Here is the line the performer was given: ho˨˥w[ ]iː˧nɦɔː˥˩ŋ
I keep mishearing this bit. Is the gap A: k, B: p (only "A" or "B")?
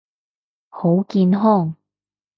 A